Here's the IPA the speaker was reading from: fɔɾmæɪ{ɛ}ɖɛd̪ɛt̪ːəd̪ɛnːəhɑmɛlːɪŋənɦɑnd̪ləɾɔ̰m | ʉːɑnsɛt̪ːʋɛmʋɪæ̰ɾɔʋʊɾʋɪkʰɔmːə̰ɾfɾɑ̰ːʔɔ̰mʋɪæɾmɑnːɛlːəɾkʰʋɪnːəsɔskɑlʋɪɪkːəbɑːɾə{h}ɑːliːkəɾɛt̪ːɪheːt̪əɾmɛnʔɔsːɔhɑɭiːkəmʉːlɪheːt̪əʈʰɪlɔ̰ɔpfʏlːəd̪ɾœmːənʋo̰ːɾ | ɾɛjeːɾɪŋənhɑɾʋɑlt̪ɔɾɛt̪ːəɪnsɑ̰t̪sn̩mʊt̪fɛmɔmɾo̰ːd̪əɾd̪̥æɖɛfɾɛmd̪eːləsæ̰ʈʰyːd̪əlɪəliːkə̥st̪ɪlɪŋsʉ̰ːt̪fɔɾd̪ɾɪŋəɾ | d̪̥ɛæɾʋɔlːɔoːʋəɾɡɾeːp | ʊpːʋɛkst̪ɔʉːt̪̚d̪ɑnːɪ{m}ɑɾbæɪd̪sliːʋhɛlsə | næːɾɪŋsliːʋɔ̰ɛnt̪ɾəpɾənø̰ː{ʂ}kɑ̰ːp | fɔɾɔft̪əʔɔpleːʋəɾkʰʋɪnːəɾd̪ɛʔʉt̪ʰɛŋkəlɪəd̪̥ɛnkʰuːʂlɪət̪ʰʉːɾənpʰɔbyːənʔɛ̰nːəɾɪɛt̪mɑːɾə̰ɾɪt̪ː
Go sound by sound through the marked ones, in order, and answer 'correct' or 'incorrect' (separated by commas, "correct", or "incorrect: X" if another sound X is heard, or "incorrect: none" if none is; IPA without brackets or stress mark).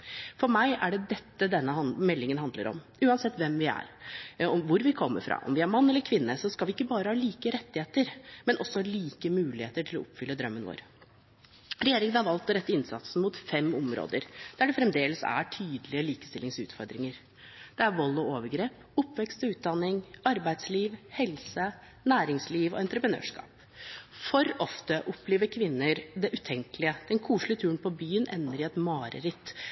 incorrect: æ, correct, incorrect: ŋ, correct